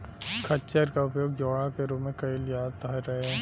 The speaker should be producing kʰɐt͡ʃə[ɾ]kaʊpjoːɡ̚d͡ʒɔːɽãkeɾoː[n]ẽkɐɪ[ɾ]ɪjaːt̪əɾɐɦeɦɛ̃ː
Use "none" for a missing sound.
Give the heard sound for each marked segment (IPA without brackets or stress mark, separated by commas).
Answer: ɾ, m, l